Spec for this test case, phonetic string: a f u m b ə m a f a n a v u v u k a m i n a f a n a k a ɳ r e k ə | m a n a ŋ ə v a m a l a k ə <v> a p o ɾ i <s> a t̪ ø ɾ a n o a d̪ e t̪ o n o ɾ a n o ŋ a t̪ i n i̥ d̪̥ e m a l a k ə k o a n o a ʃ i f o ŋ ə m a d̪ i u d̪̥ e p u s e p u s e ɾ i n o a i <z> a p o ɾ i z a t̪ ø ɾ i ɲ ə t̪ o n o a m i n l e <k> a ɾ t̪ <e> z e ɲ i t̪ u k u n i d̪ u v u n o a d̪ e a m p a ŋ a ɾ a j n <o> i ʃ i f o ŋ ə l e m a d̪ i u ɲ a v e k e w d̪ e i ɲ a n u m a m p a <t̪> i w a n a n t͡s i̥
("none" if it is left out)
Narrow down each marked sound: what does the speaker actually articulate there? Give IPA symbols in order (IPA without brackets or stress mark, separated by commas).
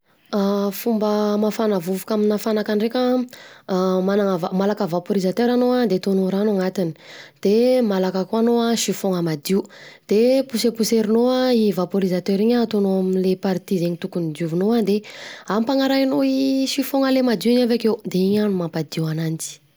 v, z, v, p, i, o, d̪